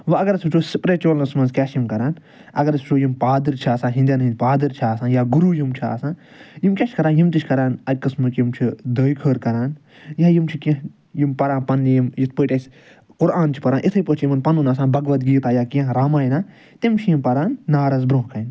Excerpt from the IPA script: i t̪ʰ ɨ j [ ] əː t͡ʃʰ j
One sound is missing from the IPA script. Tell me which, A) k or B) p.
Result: B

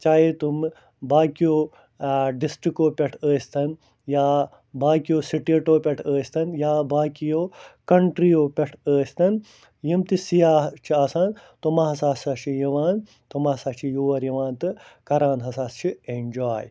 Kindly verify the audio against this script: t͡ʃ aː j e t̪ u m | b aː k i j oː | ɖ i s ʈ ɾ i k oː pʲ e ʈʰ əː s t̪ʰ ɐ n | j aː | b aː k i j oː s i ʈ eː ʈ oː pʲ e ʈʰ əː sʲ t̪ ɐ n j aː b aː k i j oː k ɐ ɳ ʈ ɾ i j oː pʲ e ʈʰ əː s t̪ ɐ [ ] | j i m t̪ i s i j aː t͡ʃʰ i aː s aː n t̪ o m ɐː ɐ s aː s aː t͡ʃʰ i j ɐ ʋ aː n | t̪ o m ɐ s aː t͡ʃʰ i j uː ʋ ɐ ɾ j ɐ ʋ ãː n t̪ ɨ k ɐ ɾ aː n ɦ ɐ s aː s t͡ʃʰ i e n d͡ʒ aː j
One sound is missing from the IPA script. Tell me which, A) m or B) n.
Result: B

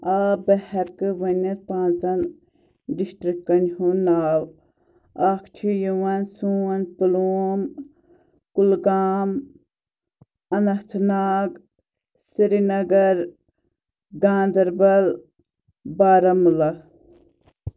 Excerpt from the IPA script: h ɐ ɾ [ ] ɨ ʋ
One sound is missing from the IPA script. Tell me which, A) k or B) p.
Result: A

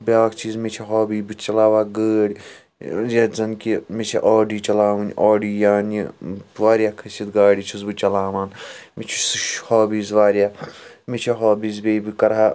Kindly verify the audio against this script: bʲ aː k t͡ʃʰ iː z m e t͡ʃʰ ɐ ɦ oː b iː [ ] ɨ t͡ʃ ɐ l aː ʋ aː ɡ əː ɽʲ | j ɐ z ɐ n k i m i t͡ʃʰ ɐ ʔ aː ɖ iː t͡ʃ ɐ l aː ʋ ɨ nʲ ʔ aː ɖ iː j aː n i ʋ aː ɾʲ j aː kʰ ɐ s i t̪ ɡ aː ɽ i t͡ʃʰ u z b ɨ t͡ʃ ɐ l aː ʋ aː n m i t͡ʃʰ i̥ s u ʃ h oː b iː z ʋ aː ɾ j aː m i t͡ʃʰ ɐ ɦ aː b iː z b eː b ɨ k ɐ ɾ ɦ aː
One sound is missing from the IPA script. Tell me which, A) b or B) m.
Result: A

